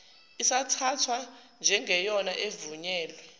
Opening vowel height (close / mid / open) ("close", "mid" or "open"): close